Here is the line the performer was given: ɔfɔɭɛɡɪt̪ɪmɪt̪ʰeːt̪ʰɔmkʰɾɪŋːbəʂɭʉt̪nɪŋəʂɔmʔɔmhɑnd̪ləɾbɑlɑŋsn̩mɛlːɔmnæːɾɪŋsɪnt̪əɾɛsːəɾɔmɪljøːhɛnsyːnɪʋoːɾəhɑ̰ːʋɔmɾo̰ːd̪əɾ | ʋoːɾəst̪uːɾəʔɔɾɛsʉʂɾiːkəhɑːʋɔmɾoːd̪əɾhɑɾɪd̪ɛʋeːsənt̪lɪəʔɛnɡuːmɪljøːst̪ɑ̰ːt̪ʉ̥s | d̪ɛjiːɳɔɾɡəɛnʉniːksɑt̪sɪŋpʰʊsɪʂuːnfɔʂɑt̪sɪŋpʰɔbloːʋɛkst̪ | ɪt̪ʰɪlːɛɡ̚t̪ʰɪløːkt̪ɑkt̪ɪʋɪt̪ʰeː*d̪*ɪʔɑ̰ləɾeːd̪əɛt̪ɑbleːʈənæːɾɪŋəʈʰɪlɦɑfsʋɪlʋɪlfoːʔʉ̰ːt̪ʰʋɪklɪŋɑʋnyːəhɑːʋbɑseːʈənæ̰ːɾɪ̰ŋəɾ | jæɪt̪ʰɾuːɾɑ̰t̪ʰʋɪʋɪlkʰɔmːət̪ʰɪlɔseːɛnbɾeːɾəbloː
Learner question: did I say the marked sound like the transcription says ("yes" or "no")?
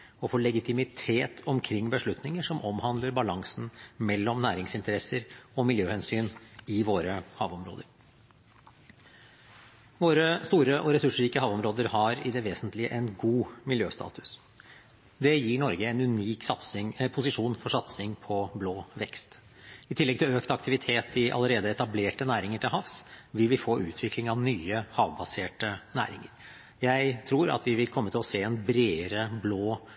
no